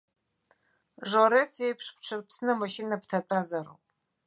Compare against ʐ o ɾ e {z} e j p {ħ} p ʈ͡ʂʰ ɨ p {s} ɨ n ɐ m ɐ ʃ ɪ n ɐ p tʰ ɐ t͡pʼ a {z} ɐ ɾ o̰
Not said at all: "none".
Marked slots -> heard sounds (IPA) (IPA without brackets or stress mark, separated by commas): s, ʂ, s, z